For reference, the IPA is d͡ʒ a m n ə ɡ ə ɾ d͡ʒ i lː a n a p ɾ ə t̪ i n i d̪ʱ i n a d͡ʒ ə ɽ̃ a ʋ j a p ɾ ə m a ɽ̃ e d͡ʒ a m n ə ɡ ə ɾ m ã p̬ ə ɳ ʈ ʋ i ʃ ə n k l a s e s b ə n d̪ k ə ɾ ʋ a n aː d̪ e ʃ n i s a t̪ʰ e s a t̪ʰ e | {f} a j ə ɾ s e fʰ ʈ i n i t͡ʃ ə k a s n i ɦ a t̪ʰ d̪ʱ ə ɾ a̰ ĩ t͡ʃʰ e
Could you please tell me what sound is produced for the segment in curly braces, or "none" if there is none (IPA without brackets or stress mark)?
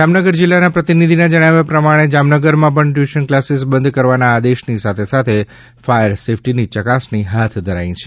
f